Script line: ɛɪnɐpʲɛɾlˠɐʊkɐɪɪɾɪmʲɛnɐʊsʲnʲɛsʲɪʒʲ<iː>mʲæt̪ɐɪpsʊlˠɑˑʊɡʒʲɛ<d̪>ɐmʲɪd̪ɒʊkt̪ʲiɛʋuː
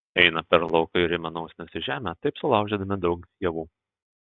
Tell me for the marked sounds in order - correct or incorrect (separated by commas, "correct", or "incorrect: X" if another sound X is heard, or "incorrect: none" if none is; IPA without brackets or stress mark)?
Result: incorrect: æː, correct